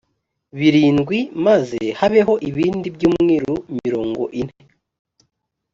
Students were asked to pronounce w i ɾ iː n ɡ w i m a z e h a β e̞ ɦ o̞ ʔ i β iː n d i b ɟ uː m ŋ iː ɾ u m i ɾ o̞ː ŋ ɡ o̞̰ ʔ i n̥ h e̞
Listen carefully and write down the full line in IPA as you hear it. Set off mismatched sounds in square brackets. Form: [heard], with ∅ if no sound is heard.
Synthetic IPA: [β] i ɾ iː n ɡ w i m a z e h a β e̞ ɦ o̞ ʔ i β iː n d i b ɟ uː m ŋ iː ɾ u m i ɾ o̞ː ŋ ɡ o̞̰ ʔ i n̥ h e̞